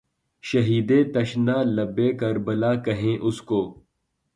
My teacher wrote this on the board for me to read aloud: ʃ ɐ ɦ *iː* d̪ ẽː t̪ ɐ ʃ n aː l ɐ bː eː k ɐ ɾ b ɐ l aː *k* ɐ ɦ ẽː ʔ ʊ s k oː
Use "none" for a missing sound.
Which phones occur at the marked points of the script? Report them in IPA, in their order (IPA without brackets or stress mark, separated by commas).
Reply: iː, k